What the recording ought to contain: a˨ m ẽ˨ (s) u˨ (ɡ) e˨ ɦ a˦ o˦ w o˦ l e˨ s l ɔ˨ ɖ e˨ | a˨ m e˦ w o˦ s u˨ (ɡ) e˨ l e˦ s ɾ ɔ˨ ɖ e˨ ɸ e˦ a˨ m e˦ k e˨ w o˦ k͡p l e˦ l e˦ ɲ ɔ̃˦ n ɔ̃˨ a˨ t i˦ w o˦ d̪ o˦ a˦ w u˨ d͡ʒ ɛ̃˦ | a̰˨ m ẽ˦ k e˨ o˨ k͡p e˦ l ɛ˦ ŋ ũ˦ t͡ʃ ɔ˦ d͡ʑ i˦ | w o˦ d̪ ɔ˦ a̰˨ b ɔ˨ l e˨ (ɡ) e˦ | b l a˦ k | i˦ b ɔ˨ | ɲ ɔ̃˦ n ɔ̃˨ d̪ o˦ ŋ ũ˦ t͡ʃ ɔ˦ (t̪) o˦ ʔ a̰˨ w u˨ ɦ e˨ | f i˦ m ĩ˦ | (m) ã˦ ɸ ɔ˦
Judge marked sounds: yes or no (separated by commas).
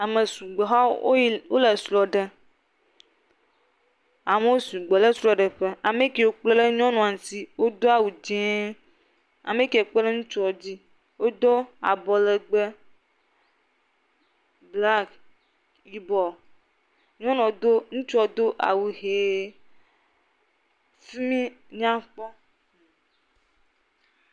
yes, no, no, no, no, no